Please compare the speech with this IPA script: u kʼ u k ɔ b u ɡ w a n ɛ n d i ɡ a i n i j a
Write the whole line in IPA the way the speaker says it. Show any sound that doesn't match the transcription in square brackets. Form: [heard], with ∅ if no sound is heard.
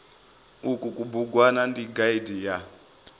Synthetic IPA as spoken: u [k] u k [u] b u ɡ w a n [a] n d i ɡ a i [d] i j a